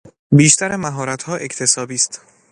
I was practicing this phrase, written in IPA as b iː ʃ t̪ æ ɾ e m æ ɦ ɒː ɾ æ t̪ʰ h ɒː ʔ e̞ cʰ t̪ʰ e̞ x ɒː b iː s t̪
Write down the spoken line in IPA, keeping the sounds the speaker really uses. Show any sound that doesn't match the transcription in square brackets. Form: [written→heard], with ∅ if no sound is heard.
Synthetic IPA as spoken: b iː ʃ t̪ æ ɾ e m æ ɦ ɒː ɾ æ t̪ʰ h ɒː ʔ e̞ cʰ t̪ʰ e̞ [x→s] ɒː b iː s t̪